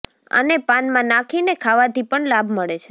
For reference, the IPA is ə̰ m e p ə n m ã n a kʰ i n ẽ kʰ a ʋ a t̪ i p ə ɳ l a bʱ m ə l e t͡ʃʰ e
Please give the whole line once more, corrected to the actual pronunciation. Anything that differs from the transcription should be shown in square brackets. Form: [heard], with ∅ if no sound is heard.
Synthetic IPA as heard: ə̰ [n] e p [a] n m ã n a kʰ i n [e] kʰ a ʋ a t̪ i p ə ɳ l a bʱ m ə [ɭ] e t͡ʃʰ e